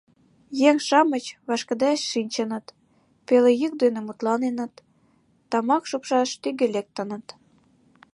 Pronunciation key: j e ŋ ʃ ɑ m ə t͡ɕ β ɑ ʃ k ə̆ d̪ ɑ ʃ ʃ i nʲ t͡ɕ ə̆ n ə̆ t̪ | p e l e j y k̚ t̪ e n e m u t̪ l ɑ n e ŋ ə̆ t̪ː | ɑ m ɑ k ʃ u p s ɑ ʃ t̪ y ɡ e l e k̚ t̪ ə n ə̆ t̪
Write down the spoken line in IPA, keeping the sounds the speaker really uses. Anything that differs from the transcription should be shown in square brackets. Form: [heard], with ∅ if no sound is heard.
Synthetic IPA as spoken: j e ŋ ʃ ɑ m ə t͡ɕ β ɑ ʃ k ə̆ d̪ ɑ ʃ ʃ i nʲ t͡ɕ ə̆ n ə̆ t̪ | p e l e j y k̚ [d̪] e n e m u t̪ l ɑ n e [n] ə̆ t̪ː | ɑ m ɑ k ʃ u p [ʃ] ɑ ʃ t̪ y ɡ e l e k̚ t̪ ə n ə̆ t̪